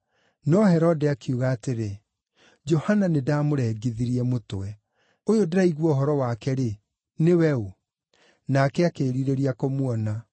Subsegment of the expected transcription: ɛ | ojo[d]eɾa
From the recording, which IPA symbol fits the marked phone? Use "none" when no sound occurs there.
d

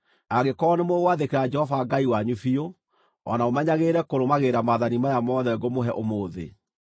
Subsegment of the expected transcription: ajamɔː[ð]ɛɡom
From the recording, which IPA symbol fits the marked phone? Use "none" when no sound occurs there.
ð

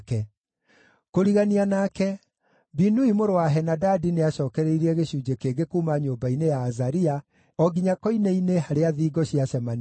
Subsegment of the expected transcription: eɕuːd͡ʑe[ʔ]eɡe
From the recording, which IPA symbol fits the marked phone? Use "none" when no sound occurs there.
k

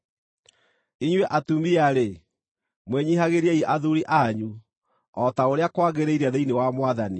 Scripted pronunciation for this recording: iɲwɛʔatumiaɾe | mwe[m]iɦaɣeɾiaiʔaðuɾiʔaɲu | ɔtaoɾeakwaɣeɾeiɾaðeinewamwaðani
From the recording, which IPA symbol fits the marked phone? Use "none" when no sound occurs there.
ɲ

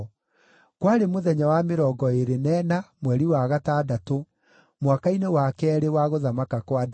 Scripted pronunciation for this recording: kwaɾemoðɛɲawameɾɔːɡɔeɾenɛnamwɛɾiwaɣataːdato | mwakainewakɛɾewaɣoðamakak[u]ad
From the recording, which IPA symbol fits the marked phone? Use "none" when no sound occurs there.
w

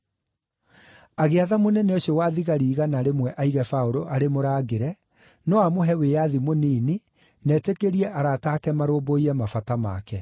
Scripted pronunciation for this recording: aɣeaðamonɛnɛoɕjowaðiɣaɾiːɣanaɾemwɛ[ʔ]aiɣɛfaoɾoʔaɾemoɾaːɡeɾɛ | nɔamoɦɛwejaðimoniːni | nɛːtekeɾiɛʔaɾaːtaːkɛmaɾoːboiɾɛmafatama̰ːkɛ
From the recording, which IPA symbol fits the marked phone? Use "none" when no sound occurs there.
ʔ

